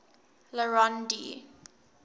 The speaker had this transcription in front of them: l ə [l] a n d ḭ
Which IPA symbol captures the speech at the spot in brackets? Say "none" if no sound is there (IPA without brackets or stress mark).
ɹ